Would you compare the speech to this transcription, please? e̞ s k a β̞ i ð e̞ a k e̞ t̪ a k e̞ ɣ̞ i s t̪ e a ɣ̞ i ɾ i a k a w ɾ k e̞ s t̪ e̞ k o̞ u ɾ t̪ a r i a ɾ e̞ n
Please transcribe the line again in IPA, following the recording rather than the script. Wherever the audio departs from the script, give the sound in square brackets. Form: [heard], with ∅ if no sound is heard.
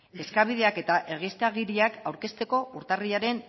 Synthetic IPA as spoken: e̞ s k a β̞ i ð e̞ a k e̞ t̪ a [ʔ] e̞ ɣ̞ i s t̪ e a ɣ̞ i ɾ i a k a w ɾ k e̞ s t̪ e̞ k o̞ u ɾ t̪ a r i a ɾ e̞ n